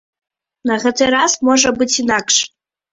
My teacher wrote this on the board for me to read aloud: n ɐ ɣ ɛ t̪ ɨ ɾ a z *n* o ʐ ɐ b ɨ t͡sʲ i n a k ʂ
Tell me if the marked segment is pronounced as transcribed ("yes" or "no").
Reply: no